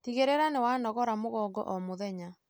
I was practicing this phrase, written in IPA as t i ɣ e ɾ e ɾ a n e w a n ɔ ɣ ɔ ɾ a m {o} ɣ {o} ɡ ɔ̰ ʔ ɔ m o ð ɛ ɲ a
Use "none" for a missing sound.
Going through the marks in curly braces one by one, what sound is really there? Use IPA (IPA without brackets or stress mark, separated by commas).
o, ɔ